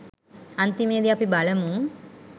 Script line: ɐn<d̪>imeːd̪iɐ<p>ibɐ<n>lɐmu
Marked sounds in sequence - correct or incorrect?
incorrect: t̪, correct, incorrect: none

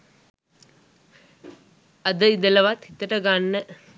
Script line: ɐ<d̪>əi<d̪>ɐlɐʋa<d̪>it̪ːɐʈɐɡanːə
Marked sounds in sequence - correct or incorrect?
correct, correct, incorrect: t̪

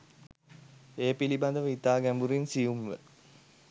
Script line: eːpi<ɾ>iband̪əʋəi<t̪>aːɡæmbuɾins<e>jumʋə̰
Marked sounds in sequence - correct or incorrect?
incorrect: l, correct, incorrect: i

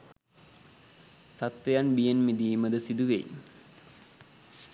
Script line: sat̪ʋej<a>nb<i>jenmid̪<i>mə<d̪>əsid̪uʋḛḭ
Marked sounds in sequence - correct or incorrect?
correct, correct, incorrect: iː, correct

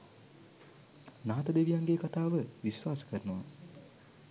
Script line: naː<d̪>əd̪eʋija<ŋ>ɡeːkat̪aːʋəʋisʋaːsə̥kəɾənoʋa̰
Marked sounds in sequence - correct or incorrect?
incorrect: t̪, correct

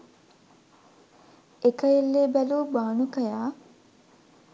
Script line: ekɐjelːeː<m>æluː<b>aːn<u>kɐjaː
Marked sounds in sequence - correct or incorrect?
incorrect: b, correct, correct

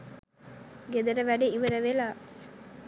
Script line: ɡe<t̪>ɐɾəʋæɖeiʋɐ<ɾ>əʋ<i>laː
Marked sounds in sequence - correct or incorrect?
incorrect: d̪, correct, incorrect: e

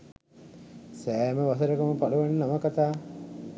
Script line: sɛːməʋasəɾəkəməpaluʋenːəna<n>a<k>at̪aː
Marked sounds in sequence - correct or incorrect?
incorrect: m, correct

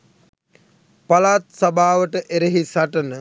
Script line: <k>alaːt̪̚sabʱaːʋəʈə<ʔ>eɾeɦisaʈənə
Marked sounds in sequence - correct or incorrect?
incorrect: p, correct

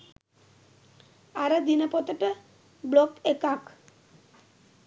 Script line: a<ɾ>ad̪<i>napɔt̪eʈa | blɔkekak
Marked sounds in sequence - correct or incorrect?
correct, correct

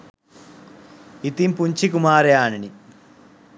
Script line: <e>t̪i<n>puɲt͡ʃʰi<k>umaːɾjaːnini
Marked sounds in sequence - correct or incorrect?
incorrect: i, incorrect: m, correct

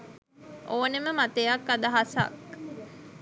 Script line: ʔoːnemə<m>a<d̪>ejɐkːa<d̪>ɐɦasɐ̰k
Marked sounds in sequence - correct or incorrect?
correct, incorrect: t̪, correct

